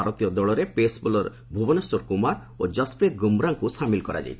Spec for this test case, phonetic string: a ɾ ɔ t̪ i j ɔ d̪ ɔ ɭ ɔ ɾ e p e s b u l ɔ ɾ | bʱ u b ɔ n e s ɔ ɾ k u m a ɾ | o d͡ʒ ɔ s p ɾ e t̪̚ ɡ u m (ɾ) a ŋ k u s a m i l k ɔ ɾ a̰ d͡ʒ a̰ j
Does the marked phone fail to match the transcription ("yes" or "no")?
no